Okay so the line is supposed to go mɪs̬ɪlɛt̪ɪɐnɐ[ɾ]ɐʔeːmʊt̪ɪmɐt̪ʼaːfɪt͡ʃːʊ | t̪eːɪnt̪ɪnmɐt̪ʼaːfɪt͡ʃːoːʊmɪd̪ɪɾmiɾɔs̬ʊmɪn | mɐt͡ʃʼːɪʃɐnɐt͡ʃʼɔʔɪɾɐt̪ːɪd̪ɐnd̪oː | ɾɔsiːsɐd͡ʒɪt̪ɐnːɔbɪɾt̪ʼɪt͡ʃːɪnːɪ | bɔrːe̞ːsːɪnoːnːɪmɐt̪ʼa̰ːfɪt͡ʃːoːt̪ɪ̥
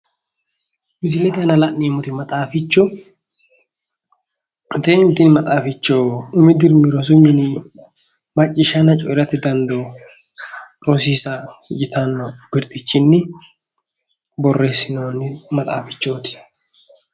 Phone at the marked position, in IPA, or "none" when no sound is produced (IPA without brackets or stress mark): l